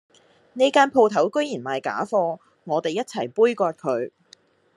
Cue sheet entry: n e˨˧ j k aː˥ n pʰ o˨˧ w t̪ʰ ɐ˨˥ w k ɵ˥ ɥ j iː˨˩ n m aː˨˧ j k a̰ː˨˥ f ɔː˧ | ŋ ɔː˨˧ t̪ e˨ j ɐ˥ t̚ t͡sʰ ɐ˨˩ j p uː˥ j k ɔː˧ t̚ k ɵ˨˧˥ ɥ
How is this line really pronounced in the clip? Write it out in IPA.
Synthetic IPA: n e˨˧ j k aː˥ n pʰ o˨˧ w t̪ʰ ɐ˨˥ w k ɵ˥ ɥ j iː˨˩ n m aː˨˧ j k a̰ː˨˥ f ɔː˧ | ŋ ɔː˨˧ t̪ e˨ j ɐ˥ t̚ t͡sʰ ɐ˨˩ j p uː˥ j k ɔː˧ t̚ kʰ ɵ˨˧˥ ɥ

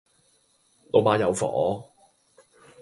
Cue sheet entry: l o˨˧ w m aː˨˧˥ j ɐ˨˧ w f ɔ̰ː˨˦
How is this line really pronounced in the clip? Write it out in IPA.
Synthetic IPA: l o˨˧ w m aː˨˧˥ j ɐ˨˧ w f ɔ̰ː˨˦

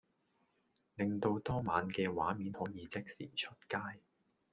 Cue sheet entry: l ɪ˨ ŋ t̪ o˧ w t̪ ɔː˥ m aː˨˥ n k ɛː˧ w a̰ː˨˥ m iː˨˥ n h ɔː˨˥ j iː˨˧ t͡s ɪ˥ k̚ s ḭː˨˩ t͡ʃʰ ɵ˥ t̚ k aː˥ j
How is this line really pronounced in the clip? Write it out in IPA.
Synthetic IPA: l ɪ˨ ŋ t̪ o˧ w t̪ ɔː˥ m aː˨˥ n k ɛː˧ w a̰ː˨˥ m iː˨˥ n h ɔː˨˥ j iː˨˧ t͡s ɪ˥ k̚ s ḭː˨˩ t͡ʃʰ ɵ˥ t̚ k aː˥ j

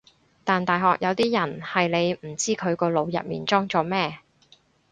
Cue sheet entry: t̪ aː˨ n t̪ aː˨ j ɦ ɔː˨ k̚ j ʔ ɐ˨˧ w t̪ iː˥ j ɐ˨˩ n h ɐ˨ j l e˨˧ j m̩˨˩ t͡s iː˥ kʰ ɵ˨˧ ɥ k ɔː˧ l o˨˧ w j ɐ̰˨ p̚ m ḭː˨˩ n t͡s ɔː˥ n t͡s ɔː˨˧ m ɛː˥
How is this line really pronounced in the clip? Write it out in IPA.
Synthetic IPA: t̪ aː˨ n t̪ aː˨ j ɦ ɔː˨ k̚ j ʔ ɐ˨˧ w t̪ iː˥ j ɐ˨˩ n h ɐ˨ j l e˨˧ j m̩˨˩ t͡s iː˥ kʰ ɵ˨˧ ɥ k ɔː˧ l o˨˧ w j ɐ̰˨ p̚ m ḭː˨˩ n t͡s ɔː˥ ŋ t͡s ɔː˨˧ m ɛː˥

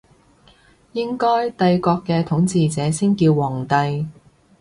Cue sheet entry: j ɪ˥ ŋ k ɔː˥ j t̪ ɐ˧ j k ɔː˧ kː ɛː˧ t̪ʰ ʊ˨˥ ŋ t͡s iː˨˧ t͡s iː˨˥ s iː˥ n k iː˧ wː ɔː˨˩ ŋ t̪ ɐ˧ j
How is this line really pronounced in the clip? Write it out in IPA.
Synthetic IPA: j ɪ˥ ŋ k ɔː˥ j t̪ ɐ˧ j k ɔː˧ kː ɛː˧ t̪ʰ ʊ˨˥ ŋ t͡s iː˨˧ t͡s ɛː˨˥ s iː˥ n k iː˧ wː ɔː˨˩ ŋ t̪ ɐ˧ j

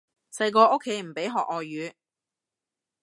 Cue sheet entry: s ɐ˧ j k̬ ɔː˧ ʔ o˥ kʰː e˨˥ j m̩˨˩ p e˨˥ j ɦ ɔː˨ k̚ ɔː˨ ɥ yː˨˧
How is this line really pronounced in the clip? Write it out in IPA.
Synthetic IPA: s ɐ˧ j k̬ ɔː˧ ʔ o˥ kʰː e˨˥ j m̩˨˩ p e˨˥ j ɦ ɔː˨ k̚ ɔː˨ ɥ yː˨˧

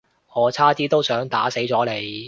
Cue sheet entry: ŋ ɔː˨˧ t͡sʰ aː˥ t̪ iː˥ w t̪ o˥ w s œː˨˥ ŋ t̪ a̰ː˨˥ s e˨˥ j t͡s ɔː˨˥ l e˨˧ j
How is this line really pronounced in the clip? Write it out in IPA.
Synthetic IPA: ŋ ɔː˨˧ t͡sʰ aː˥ t̪ iː˥ t̪ o˥ w s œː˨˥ ŋ t̪ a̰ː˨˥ s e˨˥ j t͡s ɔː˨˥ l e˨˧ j

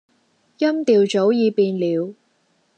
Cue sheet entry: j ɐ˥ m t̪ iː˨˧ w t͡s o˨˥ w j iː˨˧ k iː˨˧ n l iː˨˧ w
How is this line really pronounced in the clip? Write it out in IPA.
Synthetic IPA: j ɐ˥ m t̪ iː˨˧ w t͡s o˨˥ w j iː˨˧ p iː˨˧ n l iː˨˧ w

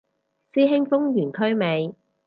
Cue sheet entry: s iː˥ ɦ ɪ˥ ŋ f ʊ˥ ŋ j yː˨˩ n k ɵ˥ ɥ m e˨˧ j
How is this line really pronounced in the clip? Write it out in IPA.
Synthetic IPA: s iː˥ ɦ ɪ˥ ŋ f ʊ˥ ŋ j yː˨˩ n kʰ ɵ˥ ɥ m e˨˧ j

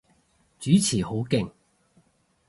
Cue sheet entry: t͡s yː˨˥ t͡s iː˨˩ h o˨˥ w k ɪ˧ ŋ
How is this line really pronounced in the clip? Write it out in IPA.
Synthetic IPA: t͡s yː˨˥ t͡sʰ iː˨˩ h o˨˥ w k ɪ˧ ŋ

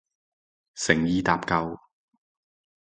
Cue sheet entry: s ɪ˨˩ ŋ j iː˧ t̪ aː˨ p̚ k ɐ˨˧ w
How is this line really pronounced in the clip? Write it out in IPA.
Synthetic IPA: s ɪ˨˩ ŋ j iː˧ t̪ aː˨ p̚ k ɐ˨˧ w

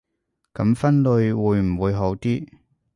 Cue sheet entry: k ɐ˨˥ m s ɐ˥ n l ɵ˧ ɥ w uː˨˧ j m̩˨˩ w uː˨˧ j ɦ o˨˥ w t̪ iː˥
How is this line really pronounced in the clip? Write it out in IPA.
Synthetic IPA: k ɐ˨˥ m f ɐ˥ n l ɵ˧ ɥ w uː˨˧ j m̩˨˩ w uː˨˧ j ɦ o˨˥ w t̪ iː˥

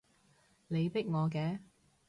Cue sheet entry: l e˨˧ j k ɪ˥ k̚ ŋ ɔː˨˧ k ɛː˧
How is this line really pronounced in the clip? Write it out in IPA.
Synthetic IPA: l e˨˧ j p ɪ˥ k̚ ŋ ɔː˨˧ k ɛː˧

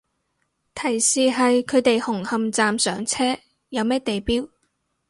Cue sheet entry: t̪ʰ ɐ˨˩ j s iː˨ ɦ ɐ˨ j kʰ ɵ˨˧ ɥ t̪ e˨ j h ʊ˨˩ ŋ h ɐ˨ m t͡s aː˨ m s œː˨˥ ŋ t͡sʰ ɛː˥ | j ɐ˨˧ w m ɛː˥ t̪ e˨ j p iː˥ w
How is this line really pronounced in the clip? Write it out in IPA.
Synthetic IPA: t̪ʰ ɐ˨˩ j s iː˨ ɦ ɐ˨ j kʰ ɵ˨˧ ɥ t̪ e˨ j h ʊ˨˩ ŋ h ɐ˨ m t͡s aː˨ m s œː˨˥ ŋ t͡sʰ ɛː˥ | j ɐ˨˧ w m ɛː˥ t̪ e˨ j p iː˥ w

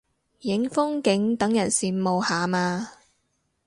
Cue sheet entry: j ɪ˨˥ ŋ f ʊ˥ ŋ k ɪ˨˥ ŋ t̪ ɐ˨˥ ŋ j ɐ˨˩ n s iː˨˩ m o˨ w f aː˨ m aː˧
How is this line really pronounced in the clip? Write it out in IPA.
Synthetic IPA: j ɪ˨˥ ŋ f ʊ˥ ŋ k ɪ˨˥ ŋ t̪ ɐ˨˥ ŋ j ɐ˨˩ n s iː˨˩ m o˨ w h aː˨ m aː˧

